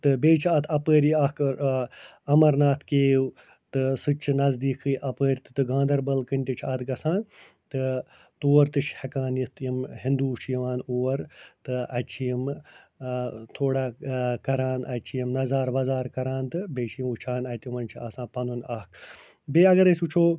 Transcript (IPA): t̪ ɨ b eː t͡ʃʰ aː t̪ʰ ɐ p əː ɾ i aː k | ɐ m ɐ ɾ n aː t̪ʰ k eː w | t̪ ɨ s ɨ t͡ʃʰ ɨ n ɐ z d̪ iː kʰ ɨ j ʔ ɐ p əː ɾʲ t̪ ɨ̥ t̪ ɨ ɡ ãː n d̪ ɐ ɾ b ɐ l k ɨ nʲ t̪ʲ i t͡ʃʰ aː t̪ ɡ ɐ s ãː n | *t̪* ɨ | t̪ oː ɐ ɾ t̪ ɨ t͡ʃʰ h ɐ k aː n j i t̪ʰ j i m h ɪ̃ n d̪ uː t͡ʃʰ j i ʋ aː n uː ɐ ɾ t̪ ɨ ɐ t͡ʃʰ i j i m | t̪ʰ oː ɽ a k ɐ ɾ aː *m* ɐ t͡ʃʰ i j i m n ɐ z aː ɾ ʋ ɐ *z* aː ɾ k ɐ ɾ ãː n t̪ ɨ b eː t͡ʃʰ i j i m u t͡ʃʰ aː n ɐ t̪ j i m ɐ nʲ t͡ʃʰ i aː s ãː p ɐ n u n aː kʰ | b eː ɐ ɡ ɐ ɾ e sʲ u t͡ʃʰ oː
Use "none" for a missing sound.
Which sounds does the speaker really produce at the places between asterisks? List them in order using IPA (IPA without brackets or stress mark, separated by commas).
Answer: t̪, n, z